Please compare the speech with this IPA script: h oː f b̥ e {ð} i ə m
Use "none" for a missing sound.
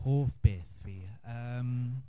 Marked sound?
θ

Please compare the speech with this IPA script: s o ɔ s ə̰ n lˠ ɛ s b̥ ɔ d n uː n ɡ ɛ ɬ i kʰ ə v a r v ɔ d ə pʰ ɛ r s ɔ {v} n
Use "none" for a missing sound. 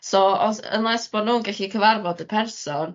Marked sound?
none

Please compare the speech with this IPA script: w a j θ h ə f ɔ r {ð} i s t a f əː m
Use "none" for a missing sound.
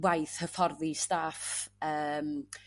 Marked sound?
ð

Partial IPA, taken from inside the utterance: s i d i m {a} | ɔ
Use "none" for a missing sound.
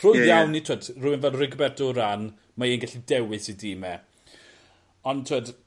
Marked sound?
ɛ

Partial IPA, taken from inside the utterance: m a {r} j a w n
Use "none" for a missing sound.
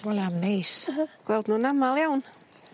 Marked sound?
l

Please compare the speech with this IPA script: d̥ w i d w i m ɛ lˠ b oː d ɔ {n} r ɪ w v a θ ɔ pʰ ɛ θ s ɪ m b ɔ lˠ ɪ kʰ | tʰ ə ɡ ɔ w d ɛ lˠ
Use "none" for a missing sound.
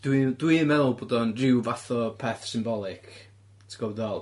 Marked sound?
n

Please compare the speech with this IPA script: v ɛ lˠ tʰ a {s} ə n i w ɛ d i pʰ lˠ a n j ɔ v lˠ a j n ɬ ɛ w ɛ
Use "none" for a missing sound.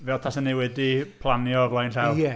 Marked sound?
s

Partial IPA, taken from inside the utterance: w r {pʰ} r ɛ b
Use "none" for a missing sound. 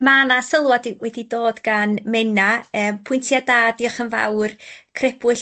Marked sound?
kʰ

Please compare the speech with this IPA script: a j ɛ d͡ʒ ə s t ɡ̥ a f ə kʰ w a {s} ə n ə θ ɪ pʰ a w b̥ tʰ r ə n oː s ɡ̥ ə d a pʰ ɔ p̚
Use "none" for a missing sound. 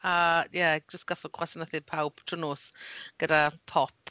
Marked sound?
s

